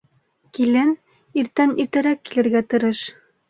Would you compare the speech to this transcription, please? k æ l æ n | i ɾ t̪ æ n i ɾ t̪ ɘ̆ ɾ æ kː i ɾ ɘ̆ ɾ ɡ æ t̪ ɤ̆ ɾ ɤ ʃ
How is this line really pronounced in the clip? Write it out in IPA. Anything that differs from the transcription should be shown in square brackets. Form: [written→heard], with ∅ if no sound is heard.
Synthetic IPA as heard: k [æ→i] l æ n | i ɾ t̪ æ n i ɾ t̪ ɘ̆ ɾ æ kː i [ɾ→l] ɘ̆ ɾ ɡ æ t̪ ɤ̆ ɾ ɤ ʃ